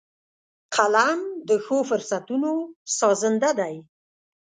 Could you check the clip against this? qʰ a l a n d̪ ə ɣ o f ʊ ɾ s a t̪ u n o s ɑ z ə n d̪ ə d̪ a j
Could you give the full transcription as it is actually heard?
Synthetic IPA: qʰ a l a m d̪ ə x o f ʊ ɾ s a t̪ u n o s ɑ z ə n d̪ a d̪ a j